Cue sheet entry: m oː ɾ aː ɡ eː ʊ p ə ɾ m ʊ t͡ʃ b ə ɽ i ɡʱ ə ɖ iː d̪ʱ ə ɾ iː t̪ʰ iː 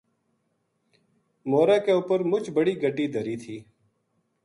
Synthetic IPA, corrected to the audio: m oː ɾ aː k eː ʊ p ə ɾ m ʊ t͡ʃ b ə ɽ iː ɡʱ ə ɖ iː d̪ʱ ə ɾ iː t̪ʰ iː